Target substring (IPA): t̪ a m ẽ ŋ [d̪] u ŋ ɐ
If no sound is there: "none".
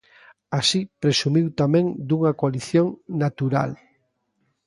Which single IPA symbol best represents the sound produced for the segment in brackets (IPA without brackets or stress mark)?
d̪